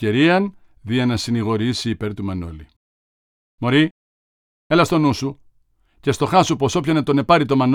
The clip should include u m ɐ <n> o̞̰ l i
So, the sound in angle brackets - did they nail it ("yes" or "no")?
yes